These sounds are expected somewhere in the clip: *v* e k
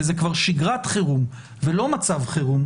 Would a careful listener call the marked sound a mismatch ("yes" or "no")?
yes